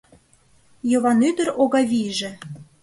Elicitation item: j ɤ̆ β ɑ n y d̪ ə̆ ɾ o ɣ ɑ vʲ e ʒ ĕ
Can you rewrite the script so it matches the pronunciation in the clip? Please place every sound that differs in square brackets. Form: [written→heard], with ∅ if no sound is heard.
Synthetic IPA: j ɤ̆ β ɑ n y d̪ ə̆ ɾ o ɣ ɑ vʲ [e→i] ʒ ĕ